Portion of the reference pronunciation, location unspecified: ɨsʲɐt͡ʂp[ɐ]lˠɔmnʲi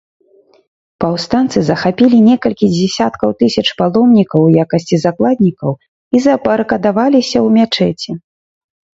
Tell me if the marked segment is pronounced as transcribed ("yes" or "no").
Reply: no